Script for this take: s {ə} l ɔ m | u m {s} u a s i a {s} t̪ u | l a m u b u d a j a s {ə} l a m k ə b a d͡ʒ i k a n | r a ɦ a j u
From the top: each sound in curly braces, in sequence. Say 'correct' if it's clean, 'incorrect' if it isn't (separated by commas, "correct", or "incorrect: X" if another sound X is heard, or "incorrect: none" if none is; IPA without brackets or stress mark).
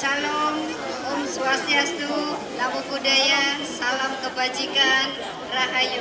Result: incorrect: a, correct, correct, incorrect: a